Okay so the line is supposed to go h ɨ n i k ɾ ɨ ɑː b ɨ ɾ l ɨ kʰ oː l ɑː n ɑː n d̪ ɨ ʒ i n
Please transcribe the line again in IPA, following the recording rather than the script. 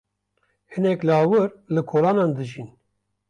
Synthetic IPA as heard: h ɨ n ɛ k l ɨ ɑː w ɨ ɾ l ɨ kʰ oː l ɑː n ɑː n d̪ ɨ ʒ i n